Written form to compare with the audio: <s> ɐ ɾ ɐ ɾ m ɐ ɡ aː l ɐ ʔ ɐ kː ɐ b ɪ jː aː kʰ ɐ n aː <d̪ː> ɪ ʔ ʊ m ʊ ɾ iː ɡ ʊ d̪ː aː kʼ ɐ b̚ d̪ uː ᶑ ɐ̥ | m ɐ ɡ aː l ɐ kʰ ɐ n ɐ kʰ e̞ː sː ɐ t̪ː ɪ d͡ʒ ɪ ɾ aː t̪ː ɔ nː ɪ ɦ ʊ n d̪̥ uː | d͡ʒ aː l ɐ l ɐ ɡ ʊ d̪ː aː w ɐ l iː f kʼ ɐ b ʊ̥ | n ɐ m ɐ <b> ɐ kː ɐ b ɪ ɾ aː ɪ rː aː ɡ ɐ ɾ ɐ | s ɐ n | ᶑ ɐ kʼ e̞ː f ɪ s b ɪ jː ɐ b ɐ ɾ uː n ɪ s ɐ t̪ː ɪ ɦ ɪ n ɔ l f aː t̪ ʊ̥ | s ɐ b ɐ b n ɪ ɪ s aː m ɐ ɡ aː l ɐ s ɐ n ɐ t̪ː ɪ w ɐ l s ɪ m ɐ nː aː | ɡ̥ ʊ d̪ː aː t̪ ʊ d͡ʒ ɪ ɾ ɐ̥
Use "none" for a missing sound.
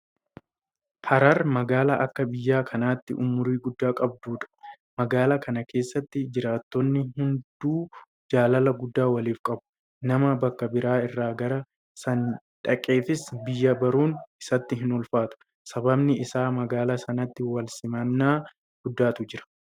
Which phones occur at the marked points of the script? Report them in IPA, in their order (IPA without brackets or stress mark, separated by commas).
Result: h, t̪ː, b